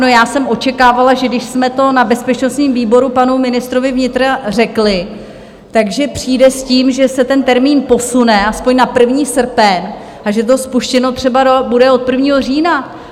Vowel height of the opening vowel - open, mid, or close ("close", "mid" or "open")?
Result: mid